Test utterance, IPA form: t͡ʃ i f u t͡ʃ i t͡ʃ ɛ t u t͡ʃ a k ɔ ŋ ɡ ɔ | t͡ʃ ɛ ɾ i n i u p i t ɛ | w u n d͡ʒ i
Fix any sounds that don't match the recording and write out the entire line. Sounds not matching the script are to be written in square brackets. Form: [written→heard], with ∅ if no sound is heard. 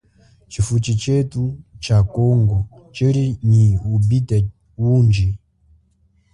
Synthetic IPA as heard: t͡ʃ i f u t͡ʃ i t͡ʃ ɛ t u t͡ʃ a k ɔ ŋ ɡ ɔ | t͡ʃ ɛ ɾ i n i u [p→b] i t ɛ | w u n d͡ʒ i